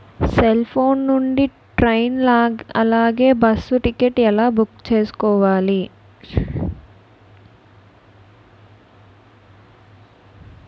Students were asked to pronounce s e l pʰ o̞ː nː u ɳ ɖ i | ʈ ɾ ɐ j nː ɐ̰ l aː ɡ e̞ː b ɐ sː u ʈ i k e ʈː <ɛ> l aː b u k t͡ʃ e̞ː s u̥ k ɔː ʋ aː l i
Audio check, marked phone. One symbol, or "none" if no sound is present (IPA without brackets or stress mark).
ɛ